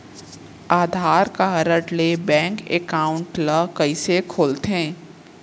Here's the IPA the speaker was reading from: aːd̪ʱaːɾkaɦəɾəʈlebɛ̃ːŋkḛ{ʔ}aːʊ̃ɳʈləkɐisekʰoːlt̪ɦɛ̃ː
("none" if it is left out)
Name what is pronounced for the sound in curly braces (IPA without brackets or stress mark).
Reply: k